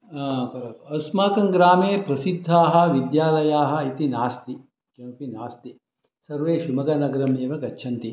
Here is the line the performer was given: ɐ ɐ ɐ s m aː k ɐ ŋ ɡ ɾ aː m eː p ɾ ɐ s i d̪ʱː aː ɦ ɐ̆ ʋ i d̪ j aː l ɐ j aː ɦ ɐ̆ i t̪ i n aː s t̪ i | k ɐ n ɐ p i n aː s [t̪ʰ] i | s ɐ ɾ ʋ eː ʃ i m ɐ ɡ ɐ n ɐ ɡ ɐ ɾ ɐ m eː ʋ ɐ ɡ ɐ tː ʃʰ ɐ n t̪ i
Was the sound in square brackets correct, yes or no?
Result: no